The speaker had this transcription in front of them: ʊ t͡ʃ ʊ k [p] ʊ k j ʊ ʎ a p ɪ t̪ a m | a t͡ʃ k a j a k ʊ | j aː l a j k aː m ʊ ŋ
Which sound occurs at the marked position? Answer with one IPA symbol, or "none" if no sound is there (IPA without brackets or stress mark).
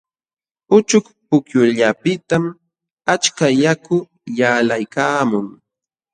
p